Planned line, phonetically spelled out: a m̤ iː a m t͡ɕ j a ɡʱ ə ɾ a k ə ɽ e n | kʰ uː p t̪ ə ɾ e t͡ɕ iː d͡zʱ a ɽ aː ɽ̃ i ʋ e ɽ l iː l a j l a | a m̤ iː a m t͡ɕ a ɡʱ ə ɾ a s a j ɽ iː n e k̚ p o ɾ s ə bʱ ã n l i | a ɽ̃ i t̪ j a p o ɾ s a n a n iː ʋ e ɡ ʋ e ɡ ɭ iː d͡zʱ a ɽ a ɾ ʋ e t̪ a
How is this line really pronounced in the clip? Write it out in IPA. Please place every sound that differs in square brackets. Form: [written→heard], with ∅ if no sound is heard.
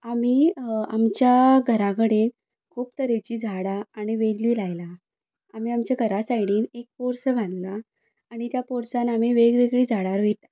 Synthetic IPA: a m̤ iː a m t͡ɕ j a ɡʱ ə ɾ a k ə ɽ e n | kʰ uː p t̪ ə ɾ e t͡ɕ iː d͡zʱ a ɽ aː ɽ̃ i ʋ e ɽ l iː l a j l a | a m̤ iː a m t͡ɕ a ɡʱ ə ɾ a s a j ɽ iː n e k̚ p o ɾ s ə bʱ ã n l [i→a] | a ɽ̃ i t̪ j a p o ɾ s a n a [n→m] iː ʋ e ɡ ʋ e ɡ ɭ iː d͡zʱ a ɽ a ɾ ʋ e t̪ a